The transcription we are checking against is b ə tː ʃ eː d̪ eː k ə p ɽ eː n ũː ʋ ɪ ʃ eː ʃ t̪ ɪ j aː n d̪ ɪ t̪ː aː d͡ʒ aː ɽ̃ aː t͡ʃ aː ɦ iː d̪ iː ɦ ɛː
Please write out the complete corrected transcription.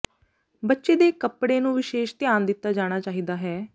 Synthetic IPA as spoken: b ə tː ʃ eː d̪ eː k ə p ɽ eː n ũː ʋ ɪ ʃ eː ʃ t̪ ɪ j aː n d̪ ɪ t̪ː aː d͡ʒ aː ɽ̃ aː t͡ʃ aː ɦ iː d̪ aː ɦ ɛː